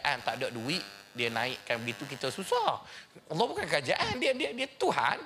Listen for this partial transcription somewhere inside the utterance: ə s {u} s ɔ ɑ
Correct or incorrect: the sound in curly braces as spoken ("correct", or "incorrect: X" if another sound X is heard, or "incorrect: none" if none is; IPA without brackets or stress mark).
correct